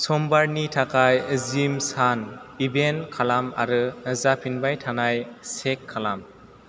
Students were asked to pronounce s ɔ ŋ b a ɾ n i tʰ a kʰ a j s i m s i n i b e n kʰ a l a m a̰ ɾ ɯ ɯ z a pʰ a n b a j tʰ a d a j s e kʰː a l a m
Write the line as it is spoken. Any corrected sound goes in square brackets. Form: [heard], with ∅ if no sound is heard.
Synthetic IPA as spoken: s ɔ [m] b a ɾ n i tʰ a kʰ a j [z] i m s [a] n i b e n kʰ a l a m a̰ ɾ ɯ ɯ z a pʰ [i] n b a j tʰ a [n] a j s e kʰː a l a m